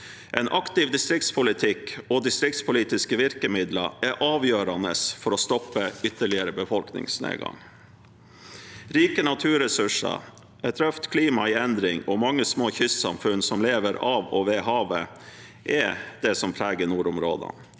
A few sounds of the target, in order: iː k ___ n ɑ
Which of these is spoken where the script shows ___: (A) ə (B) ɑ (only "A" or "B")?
A